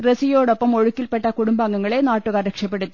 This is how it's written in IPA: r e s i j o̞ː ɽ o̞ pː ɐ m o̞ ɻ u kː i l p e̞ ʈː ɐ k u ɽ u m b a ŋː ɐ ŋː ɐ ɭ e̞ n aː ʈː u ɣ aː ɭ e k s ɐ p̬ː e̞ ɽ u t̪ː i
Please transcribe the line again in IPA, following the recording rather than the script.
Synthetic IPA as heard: r e s i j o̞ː ɽ o̞ pː ɐ m o̞ ɻ u kː i l p e̞ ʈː ɐ k u ɽ u m b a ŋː ɐ ŋː ɐ ɭ e̞ n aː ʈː u ɣ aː ɾ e k ʂ ɐ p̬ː e̞ ɽ u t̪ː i